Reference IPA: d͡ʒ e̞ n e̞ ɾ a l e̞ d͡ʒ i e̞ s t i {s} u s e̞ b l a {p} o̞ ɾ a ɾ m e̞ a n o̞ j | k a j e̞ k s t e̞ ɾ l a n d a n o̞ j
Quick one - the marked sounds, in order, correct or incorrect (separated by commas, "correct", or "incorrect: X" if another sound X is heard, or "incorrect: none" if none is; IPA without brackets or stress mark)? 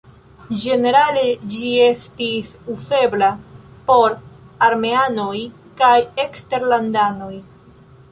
correct, correct